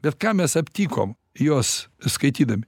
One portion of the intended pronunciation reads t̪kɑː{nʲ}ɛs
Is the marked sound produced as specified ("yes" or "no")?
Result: no